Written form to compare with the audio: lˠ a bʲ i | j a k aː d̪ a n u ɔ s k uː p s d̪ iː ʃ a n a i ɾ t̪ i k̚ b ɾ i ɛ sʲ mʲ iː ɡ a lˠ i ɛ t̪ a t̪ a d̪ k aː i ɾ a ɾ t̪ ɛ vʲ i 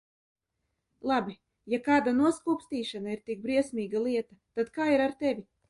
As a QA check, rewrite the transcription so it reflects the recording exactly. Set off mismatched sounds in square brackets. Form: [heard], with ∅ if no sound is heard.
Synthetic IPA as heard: lˠ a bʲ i | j a k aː d̪ a n u ɔ s k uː p s [t̪] iː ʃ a n a i ɾ t̪ i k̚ b ɾ i ɛ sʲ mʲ iː ɡ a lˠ i ɛ t̪ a t̪ a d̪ k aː i ɾ a ɾ t̪ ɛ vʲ i